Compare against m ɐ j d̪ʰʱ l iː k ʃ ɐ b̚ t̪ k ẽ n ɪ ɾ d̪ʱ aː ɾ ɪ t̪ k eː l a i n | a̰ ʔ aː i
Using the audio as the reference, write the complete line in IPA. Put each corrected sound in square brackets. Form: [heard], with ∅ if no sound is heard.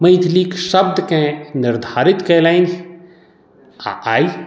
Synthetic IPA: m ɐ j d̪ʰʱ l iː k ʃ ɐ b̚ [d̪] k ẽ n ɪ ɾ d̪ʱ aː ɾ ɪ t̪ k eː l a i n | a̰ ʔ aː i